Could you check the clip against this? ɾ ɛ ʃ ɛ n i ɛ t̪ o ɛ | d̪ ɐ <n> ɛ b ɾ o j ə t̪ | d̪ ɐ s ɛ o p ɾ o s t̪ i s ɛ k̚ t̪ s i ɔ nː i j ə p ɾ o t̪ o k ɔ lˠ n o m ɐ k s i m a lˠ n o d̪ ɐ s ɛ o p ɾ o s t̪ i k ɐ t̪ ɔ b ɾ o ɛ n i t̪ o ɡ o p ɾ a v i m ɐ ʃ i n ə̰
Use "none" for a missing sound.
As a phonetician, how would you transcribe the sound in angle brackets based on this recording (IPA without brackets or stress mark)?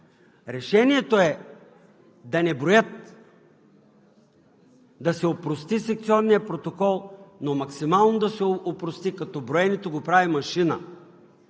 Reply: n